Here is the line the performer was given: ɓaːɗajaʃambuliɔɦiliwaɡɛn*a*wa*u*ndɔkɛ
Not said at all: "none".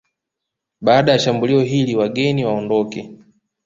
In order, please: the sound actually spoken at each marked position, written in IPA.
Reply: i, ɔ

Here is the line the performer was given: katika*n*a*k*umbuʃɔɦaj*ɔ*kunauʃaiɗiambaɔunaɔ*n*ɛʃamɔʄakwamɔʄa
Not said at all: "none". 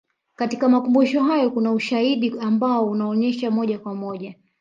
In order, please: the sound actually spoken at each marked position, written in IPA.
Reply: m, k, ɔ, ɲ

